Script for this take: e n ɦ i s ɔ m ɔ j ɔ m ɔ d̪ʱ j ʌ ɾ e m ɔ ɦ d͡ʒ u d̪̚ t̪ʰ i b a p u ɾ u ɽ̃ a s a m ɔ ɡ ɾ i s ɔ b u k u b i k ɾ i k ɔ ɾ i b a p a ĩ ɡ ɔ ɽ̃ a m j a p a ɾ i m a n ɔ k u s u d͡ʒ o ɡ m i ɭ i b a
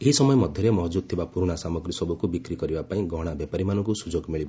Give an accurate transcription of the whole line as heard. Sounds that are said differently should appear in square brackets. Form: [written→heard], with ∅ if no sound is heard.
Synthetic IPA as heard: e [n→∅] ɦ i s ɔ m ɔ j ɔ m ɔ d̪ʱ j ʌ ɾ e m ɔ ɦ d͡ʒ u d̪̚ t̪ʰ i b a p u ɾ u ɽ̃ a s a m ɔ ɡ ɾ i s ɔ b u k u b i k ɾ i k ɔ ɾ i b a p a ĩ ɡ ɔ ɽ̃ a [m→b] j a p a ɾ i m a n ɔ k u s u d͡ʒ o ɡ m i ɭ i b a